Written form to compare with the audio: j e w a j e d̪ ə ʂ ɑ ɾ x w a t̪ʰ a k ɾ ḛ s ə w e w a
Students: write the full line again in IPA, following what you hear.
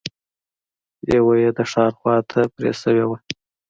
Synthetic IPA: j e w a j e d̪ ə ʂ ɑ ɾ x w ɑ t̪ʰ a p ɾ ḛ s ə w e w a